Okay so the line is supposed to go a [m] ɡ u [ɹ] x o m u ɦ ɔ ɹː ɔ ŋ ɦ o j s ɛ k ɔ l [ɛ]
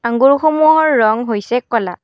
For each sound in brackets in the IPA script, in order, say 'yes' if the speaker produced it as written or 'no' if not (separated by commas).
no, yes, no